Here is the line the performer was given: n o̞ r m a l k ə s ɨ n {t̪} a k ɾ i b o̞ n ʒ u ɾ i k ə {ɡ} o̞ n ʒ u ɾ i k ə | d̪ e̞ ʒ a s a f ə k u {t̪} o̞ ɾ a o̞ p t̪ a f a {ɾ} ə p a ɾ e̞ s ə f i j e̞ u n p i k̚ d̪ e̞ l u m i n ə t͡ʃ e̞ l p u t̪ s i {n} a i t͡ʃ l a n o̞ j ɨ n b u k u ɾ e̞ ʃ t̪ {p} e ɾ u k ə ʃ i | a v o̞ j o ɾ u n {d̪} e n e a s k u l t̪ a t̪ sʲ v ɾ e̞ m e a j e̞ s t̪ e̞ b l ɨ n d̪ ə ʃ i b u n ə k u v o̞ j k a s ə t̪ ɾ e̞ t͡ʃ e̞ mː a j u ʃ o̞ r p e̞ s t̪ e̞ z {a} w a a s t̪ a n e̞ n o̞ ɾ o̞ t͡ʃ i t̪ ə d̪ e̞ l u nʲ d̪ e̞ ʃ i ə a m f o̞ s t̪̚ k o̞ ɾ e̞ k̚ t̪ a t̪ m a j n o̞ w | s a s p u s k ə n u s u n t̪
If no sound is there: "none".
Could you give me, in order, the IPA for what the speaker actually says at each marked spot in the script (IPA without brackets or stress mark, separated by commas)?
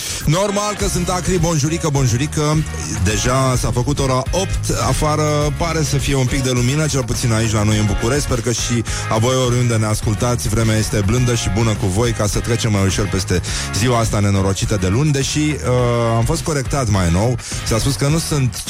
t̪, b, t̪, ɾ, n, p, d̪, i